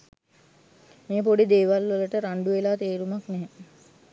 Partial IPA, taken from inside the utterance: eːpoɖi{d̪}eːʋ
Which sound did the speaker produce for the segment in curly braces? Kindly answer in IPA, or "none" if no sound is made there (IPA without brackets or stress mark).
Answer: d̪